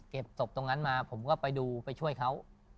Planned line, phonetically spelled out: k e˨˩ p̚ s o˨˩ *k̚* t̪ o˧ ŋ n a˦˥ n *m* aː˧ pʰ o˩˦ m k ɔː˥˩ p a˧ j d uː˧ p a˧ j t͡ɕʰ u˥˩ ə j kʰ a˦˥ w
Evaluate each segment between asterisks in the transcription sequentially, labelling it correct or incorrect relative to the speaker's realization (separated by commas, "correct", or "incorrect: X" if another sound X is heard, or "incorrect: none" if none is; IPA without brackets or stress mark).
incorrect: p̚, correct